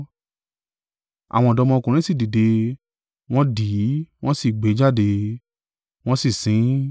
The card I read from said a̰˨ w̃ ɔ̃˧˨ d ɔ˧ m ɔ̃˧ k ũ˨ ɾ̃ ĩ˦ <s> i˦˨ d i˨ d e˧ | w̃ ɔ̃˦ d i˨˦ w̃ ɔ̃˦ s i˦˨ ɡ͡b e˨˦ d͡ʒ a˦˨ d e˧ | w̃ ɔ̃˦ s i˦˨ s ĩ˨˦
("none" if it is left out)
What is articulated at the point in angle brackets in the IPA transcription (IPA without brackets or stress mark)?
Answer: s